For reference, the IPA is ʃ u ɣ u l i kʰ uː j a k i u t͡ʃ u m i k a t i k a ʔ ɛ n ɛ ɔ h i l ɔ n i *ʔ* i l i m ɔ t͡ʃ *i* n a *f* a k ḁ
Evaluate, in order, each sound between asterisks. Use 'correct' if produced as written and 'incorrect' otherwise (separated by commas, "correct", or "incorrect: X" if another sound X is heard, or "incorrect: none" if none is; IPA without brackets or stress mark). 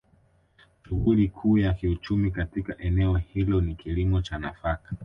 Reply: incorrect: k, incorrect: a, correct